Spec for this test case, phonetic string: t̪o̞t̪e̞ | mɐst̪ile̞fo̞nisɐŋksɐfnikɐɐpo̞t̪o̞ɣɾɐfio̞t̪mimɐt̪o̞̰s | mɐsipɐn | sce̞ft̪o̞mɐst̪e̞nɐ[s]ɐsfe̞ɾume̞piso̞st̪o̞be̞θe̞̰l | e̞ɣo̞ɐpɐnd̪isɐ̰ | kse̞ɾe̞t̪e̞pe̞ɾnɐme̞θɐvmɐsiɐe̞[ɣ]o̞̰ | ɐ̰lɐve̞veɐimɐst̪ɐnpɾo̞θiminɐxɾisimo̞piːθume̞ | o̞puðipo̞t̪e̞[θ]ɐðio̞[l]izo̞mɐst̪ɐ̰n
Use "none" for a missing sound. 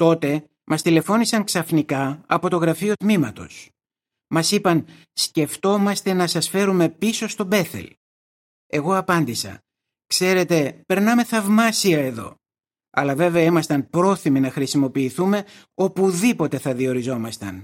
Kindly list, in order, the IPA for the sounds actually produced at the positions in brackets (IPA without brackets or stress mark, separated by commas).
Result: s, ð, θ, ɾ